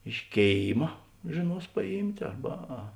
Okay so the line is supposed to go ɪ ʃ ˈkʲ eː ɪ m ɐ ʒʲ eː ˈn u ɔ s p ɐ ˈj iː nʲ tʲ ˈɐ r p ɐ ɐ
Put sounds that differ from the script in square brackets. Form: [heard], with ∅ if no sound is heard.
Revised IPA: ɪ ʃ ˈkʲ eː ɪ m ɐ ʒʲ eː ˈn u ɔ s p ɐ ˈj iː [mʲ] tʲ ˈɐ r [b] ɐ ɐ